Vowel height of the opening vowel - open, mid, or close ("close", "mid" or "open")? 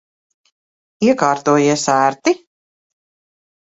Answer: close